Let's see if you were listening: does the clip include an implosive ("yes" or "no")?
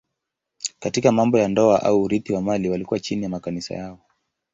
no